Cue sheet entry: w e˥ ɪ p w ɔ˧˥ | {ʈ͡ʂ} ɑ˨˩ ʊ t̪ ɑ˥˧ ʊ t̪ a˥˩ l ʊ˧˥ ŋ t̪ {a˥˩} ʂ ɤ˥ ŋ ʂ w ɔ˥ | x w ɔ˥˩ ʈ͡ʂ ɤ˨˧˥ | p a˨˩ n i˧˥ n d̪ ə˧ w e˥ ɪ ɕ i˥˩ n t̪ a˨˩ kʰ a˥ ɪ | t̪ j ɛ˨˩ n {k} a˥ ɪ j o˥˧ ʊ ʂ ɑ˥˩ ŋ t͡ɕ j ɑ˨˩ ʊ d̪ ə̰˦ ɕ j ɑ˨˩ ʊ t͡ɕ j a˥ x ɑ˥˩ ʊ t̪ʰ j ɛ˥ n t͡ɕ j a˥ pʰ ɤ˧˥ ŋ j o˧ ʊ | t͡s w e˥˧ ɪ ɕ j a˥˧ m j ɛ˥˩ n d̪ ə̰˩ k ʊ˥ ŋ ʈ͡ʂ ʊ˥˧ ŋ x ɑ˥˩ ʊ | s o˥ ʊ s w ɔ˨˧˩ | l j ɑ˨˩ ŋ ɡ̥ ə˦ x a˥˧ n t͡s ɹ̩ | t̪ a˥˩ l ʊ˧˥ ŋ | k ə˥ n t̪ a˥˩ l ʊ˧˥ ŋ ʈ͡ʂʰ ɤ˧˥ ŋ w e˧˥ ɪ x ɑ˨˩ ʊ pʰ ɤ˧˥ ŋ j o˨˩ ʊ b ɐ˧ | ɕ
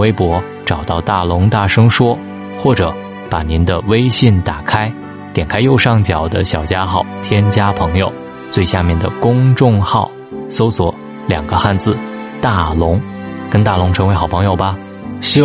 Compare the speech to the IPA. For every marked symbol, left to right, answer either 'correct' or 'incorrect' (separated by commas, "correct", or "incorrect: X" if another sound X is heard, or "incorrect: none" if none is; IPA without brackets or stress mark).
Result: correct, correct, incorrect: kʰ